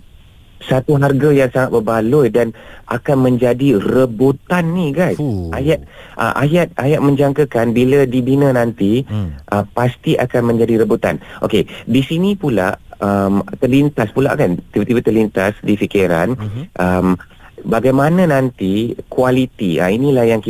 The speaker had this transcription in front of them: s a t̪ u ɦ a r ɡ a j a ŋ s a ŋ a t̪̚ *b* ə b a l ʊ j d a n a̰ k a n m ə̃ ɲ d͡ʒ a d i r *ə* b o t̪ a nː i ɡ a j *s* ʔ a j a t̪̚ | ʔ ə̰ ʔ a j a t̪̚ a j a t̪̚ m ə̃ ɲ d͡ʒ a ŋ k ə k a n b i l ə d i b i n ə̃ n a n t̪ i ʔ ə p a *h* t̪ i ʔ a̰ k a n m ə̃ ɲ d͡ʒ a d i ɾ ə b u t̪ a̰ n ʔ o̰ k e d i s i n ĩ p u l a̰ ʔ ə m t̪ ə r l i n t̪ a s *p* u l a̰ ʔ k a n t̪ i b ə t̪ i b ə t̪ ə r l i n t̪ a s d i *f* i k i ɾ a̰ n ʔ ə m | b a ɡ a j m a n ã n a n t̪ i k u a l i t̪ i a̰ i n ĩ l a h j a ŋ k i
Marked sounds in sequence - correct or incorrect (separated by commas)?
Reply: correct, correct, correct, incorrect, correct, correct